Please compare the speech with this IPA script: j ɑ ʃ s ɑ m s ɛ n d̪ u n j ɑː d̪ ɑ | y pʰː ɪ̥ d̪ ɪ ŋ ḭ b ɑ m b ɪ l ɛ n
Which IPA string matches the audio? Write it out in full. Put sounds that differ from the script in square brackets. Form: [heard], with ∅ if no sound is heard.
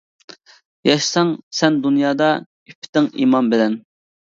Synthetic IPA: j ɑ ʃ s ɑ [ŋ] s ɛ n d̪ u n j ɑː d̪ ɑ | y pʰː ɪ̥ [t̪] ɪ ŋ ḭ [m] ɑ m b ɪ l ɛ n